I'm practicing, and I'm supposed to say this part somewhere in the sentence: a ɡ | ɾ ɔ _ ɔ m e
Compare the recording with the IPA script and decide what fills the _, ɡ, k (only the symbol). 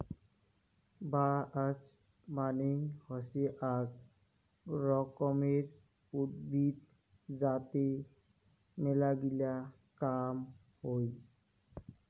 k